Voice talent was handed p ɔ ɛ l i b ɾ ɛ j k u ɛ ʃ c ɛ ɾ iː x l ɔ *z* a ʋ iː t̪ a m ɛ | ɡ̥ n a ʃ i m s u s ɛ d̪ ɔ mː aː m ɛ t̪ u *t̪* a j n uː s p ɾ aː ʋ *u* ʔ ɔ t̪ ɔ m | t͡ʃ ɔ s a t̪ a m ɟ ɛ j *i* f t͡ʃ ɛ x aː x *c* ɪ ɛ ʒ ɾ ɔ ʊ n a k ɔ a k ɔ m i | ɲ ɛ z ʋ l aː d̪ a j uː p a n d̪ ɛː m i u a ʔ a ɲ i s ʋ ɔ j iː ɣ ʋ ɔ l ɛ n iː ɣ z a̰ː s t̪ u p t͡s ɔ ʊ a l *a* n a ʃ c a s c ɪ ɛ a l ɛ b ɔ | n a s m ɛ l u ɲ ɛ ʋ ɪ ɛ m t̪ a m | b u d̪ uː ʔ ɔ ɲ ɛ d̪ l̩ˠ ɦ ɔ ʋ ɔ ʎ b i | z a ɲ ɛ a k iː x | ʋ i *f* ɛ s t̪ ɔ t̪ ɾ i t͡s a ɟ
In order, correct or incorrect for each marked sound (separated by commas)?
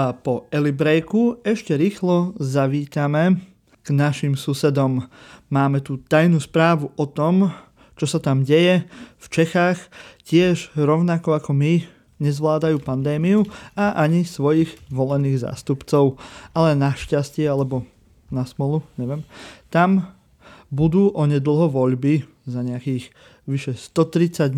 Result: correct, correct, correct, incorrect, correct, incorrect, incorrect